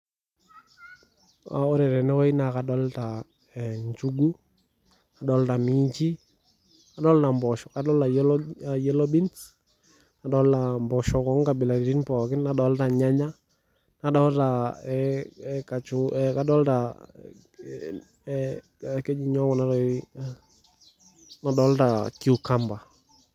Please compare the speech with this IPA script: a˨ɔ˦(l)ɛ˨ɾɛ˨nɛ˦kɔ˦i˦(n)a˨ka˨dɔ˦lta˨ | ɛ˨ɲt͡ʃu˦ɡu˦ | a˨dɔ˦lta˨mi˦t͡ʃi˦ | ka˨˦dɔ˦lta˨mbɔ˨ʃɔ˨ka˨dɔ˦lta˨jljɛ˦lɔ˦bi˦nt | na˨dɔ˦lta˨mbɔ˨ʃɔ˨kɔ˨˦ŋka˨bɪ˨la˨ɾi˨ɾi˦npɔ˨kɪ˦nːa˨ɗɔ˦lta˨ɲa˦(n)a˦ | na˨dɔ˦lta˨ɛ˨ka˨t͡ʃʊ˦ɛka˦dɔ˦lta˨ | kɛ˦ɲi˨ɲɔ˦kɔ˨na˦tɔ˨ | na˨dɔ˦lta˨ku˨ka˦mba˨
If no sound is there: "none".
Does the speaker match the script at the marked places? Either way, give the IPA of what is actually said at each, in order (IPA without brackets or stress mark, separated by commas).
ɾ, n, ɲ